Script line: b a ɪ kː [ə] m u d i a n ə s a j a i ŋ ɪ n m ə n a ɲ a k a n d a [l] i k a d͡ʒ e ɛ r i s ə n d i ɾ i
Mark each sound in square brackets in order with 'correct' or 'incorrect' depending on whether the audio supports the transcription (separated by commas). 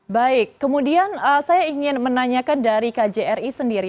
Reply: correct, incorrect